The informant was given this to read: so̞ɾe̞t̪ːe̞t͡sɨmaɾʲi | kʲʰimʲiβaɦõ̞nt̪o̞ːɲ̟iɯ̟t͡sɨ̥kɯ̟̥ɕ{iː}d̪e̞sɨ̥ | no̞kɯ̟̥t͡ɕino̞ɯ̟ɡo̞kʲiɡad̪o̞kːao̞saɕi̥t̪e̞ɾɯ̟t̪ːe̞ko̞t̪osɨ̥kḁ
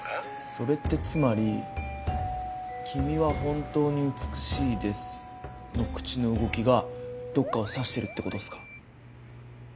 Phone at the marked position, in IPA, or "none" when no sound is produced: iː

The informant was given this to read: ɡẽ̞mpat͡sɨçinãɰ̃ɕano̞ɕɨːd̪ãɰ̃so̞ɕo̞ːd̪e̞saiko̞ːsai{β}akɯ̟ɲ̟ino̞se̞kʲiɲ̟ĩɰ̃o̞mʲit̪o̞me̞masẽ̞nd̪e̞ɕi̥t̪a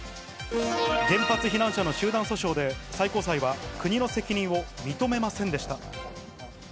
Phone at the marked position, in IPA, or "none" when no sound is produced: β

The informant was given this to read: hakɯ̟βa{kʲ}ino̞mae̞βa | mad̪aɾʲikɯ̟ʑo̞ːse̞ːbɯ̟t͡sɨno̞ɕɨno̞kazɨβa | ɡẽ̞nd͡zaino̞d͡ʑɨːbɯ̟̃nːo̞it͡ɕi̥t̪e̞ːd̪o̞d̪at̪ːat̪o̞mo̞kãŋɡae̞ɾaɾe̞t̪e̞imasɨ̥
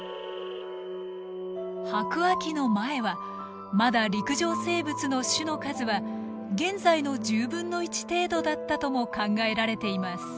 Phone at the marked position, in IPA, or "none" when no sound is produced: kʲ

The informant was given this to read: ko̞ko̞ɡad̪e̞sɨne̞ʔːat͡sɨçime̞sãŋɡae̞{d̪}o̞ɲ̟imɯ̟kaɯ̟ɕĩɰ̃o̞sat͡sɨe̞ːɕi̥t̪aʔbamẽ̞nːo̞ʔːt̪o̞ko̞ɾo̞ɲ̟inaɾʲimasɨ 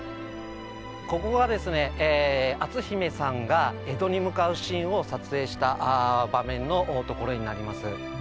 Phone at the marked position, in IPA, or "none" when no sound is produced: d̪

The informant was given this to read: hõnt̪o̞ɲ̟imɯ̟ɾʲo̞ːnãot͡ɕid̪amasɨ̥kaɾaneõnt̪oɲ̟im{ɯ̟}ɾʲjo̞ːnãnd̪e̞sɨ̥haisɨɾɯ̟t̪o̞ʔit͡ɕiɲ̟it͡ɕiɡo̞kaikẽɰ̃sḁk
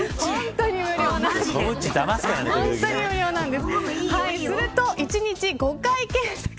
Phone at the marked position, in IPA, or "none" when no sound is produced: ɯ̟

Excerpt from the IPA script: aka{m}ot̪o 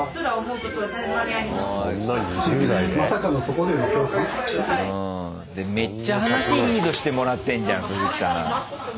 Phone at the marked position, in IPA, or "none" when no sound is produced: n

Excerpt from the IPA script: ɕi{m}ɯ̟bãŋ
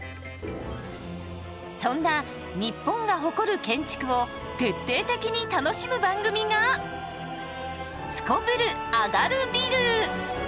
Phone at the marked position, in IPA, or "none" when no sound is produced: m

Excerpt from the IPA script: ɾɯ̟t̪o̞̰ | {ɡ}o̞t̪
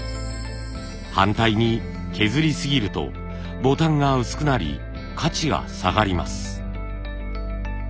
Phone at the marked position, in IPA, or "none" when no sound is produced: b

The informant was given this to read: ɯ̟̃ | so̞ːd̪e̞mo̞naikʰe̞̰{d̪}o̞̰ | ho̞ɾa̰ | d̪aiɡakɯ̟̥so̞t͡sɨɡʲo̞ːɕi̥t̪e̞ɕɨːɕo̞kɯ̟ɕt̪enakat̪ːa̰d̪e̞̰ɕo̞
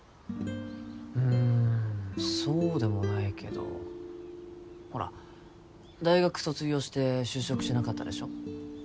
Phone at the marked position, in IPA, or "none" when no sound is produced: d̪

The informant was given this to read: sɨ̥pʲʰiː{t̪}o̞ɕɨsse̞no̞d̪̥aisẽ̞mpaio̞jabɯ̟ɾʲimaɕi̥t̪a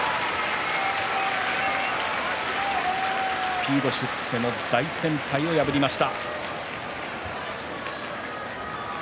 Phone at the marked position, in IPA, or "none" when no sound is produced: d̪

